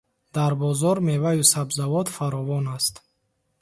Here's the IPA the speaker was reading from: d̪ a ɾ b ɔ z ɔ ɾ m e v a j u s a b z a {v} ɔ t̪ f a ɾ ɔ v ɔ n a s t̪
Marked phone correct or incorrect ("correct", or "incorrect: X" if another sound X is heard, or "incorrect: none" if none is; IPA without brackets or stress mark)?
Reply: correct